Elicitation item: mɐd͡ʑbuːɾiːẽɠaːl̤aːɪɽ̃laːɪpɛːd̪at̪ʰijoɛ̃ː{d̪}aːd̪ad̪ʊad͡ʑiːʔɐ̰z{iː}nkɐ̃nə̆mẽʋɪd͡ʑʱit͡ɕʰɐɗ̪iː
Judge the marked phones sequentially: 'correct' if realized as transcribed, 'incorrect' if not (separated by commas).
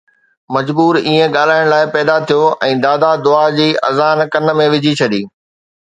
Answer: correct, incorrect